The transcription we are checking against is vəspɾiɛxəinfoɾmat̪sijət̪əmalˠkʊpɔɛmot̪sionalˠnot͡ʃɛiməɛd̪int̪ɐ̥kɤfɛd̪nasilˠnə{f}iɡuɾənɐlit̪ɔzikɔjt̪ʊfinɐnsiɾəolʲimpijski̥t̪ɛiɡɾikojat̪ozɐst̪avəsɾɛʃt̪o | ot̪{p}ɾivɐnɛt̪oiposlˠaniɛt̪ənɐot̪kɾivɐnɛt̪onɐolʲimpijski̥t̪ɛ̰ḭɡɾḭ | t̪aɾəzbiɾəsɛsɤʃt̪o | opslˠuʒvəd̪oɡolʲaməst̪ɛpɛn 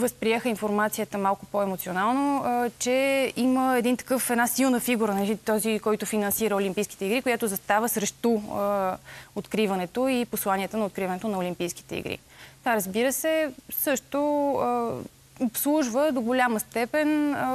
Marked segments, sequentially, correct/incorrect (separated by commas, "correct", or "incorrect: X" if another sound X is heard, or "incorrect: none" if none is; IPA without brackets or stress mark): correct, incorrect: k